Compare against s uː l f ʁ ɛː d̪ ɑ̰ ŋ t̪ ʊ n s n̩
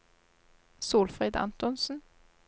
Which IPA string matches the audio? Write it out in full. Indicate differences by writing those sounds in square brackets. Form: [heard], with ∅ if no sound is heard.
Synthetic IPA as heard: s uː l f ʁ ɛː d̪ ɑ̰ [n] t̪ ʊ n s n̩